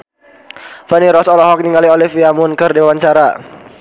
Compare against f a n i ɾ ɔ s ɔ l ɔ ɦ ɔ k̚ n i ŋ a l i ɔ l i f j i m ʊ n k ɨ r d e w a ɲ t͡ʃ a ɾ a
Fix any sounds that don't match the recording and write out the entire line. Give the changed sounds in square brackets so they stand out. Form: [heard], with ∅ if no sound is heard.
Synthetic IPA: f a n i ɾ ɔ s ɔ l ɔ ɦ ɔ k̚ n i ŋ a l i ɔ l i f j [a] m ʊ n k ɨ r d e w a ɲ t͡ʃ a ɾ a